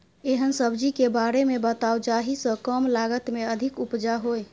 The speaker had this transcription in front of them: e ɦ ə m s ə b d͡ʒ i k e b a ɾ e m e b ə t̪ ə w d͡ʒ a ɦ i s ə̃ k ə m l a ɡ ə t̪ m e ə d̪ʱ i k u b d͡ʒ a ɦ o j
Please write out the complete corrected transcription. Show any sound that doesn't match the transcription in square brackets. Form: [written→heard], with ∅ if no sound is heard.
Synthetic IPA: e ɦ ə [m→n] s ə b d͡ʒ i k e b a ɾ e m e b ə t̪ [ə→a] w d͡ʒ a ɦ i s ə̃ k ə m l a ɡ ə t̪ m e ə d̪ʱ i k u [b→p] d͡ʒ a ɦ o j